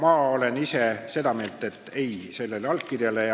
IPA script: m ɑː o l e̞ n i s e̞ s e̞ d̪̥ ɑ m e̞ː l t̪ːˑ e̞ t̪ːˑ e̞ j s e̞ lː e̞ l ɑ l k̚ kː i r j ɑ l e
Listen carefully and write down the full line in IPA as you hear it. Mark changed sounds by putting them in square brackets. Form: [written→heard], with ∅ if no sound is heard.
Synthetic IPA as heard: m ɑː o l e̞ n i s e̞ s e̞ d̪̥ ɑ m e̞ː l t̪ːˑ e̞ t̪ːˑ e̞ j s e̞ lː e̞ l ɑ l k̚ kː i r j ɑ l e